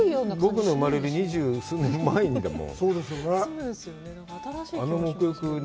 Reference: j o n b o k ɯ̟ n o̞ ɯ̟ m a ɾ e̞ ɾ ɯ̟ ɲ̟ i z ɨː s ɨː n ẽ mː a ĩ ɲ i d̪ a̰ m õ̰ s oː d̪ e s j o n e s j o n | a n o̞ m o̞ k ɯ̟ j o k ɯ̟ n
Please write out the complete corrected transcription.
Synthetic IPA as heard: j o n b o k ɯ̟ n o̞ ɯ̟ m a ɾ e̞ ɾ ɯ̟ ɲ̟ i ʑ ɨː s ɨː n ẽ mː a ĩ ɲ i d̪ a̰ m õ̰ s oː d̪ e s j o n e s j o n | a n o̞ m o̞ k ɯ̟ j o k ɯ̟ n